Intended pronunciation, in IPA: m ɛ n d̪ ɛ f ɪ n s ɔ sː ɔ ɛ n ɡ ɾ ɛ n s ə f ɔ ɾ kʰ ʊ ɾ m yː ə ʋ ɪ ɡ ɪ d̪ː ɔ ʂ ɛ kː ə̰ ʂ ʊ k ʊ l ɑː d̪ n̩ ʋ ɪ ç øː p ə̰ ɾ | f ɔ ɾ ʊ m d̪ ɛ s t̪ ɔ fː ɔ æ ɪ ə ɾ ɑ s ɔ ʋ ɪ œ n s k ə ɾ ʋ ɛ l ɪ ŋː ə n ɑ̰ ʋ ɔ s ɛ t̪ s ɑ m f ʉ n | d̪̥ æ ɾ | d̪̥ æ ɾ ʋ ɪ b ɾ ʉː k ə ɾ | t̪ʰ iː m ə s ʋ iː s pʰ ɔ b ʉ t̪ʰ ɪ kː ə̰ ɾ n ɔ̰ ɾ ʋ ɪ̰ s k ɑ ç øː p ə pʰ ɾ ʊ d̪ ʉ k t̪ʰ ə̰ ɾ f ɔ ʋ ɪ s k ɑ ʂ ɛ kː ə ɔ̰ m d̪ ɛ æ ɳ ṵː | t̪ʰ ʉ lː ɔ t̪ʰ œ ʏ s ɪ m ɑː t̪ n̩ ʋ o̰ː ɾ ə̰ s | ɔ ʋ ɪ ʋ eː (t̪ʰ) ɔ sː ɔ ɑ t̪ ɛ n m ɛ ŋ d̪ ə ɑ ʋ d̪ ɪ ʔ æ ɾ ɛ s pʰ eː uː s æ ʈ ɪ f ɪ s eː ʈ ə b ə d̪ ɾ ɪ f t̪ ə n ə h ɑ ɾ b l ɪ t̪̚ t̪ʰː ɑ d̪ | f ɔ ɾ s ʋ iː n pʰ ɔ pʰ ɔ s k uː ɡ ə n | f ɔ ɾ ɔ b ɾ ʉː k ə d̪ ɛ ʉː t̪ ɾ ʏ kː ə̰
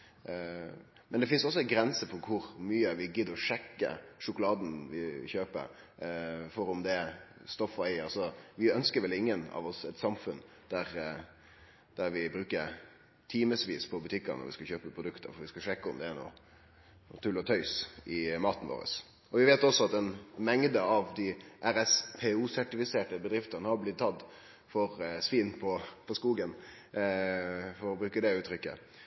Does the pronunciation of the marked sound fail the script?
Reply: yes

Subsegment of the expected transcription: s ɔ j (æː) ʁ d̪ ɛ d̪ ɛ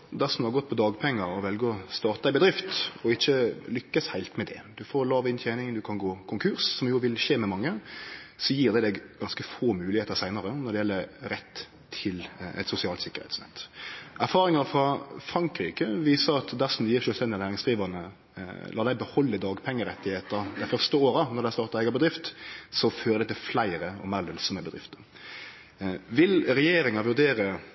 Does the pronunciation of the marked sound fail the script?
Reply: yes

